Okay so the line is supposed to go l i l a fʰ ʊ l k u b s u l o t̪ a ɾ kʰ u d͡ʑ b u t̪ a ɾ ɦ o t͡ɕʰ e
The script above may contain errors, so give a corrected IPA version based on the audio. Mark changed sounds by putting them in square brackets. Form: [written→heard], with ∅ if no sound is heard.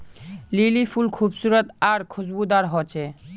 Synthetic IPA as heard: l i l [a→i] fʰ [ʊ→u] l [k→kʰ] u b s u [l→ɾ] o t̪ a ɾ kʰ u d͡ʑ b u [t̪→d̪] a ɾ ɦ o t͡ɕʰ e